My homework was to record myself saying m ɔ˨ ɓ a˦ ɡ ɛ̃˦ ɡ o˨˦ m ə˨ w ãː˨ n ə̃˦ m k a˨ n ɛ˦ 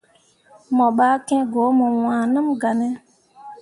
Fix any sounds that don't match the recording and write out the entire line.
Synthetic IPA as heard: m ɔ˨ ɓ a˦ k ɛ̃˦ ɡ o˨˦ m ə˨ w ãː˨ n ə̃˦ m ɡ a˨ n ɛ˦